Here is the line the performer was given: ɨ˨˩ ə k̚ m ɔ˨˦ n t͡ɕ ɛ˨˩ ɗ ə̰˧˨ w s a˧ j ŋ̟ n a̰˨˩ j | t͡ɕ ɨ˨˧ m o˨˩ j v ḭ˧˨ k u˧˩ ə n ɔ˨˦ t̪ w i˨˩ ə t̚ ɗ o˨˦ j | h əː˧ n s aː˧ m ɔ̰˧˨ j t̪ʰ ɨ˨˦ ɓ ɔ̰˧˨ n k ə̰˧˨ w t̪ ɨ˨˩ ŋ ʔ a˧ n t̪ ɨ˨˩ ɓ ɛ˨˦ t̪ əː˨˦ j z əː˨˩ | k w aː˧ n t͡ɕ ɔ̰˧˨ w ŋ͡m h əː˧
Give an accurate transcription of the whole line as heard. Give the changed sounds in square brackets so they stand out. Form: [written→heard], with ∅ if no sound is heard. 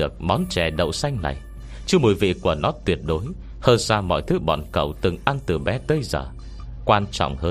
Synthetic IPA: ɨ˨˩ ə k̚ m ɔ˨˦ n t͡ɕ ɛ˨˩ ɗ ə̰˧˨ w s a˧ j ŋ̟ n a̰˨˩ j | t͡ɕ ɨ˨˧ m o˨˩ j v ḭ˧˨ k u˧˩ ə n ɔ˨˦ t̪ w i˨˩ ə t̚ ɗ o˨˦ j | h əː˧ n s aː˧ m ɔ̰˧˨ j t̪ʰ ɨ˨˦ ɓ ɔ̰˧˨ n k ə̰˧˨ w t̪ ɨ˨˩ ŋ ʔ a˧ n t̪ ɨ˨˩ ɓ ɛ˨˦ t̪ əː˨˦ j z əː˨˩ | k w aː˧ n t͡ɕ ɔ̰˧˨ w ŋ͡m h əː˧